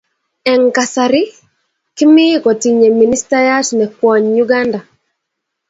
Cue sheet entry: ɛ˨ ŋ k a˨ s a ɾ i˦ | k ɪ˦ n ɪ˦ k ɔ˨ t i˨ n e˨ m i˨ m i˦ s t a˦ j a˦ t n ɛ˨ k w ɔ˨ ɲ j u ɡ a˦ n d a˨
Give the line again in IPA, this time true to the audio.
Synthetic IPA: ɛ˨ ŋ k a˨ s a ɾ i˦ | k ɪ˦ m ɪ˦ k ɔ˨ t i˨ ɲ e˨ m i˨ n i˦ s t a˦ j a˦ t n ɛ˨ k w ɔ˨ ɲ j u ɡ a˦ n d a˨